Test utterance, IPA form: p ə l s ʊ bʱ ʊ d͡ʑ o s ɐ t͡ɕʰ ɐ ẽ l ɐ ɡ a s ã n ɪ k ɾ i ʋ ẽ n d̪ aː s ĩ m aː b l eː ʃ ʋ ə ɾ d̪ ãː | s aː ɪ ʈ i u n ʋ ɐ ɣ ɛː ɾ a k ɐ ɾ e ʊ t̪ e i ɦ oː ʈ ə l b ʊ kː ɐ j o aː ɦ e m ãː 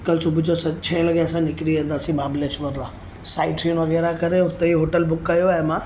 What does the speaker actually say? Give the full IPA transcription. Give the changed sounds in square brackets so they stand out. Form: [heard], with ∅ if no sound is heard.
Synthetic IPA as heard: [k] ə l s ʊ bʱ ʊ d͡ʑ o s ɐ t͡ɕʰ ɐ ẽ l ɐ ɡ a s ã n ɪ k ɾ i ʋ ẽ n d̪ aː s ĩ m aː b l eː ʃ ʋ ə ɾ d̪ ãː | s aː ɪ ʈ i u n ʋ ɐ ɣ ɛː ɾ a k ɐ ɾ e ʊ t̪ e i ɦ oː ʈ ə l b ʊ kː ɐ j o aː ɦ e m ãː